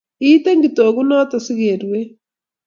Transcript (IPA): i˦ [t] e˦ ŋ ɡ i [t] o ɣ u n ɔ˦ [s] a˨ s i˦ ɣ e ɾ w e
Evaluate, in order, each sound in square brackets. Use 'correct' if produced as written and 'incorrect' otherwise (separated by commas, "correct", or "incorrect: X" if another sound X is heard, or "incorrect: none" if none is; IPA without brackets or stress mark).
correct, correct, incorrect: t